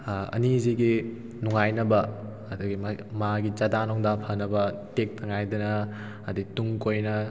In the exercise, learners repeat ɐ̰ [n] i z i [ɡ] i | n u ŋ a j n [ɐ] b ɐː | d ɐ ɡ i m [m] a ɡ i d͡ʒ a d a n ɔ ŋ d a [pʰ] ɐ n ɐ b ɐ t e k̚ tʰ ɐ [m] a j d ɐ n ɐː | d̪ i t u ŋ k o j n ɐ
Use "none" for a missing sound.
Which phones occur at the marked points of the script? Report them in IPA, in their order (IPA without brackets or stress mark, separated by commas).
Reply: n, ɡ, ɐ, m, pʰ, ŋ